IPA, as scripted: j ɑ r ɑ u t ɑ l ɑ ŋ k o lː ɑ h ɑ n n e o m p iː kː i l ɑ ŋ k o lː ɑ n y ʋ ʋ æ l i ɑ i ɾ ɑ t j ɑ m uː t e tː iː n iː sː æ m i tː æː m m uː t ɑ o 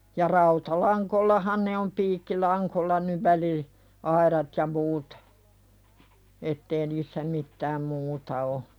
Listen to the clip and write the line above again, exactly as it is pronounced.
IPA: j ɑ r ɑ u t ɑ l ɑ ŋ k o lː ɑ h ɑ n n e o m p iː kː i l ɑ ŋ k o lː ɑ n y ʋ ʋ æ l i ɑ i ɾ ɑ t j ɑ m uː t e tː eː n iː sː æ m i tː æː m m uː t ɑ o